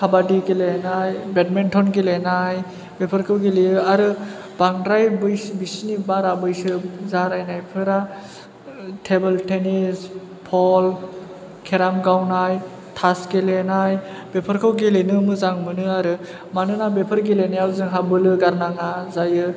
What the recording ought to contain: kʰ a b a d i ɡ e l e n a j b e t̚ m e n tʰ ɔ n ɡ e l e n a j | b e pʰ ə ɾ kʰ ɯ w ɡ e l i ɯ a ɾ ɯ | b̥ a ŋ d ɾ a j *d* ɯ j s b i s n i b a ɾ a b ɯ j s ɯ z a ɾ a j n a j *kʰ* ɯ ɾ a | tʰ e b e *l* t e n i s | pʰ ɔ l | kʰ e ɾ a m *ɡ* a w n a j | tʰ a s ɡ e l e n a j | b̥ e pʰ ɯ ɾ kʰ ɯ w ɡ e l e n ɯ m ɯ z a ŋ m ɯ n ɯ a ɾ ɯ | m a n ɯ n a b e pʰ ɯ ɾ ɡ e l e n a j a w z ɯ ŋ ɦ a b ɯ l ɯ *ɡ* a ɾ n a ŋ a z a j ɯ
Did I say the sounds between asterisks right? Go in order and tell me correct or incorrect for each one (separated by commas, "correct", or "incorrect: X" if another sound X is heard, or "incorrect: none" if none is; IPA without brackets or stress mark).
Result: incorrect: b, incorrect: pʰ, correct, correct, correct